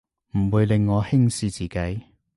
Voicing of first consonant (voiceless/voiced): voiced